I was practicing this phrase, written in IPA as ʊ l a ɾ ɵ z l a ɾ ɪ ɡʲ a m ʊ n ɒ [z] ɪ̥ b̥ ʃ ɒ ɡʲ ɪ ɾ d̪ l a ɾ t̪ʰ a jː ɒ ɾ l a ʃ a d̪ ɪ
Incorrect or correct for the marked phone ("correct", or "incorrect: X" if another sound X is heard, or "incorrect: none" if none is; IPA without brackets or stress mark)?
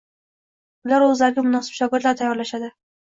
incorrect: s